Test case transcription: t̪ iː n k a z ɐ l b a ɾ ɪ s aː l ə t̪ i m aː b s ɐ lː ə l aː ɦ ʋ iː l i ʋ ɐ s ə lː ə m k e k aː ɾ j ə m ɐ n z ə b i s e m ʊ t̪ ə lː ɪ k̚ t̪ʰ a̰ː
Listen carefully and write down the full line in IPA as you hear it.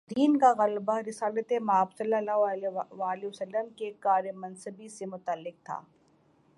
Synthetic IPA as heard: d̪ iː n k a ɣ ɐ l b a ɾ ɪ s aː l ə t̪ e m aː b s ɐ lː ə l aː ɦ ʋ aː l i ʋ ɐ s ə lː ə m k e k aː ɾ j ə m ɐ n s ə b i s e m ʊ t̪ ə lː ɪ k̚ t̪ʰ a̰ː